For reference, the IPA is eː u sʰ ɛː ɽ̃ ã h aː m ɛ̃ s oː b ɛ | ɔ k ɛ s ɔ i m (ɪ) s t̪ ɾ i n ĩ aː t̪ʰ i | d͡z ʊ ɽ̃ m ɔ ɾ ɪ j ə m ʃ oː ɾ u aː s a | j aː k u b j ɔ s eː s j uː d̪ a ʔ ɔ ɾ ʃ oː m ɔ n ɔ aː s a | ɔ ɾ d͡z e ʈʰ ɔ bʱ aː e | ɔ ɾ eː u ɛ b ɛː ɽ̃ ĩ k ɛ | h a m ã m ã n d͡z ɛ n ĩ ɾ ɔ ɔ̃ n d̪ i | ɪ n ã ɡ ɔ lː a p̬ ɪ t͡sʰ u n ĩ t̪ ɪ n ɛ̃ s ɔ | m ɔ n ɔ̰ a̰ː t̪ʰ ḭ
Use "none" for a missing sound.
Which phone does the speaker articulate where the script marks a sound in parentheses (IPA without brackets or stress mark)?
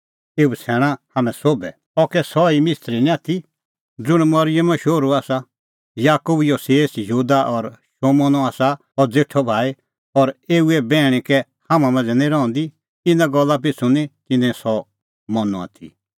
ɪ